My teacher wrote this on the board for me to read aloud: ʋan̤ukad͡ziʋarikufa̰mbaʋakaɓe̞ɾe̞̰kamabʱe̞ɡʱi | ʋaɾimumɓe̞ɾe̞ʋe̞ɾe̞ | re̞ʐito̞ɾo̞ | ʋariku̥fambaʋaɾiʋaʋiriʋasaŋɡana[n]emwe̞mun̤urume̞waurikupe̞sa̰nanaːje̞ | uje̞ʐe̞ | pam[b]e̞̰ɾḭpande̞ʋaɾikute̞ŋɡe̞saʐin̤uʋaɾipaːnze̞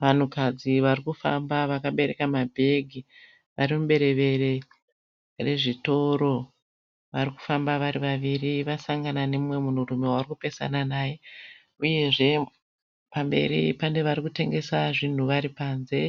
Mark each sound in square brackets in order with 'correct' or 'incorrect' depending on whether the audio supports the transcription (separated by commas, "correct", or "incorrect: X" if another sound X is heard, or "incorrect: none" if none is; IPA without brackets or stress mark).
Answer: correct, correct